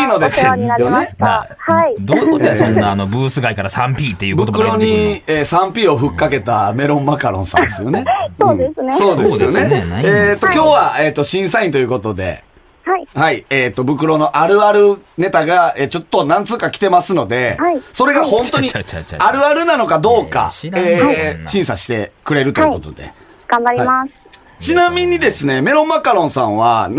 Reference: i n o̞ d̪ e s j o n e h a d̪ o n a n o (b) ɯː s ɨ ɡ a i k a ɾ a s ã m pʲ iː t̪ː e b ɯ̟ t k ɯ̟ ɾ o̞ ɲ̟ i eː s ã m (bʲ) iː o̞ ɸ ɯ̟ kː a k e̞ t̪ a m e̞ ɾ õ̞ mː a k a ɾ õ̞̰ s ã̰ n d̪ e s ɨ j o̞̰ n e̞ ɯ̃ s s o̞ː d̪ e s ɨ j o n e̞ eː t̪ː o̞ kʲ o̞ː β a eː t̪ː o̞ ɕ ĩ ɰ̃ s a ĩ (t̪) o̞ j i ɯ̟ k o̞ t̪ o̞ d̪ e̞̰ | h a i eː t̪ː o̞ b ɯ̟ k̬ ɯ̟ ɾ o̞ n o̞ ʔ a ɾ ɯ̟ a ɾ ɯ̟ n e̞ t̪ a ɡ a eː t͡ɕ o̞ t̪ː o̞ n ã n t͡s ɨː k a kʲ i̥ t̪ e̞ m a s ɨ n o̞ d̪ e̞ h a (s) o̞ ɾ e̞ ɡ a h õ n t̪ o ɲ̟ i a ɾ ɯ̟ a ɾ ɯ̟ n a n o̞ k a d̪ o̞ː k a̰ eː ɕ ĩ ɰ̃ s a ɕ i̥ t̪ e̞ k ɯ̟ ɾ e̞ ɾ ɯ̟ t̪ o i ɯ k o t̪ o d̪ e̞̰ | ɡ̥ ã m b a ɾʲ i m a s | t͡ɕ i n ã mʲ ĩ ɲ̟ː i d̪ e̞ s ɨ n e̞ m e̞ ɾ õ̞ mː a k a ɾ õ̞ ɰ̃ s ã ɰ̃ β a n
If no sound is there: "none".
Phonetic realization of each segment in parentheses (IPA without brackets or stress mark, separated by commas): b, pʲ, t̪, s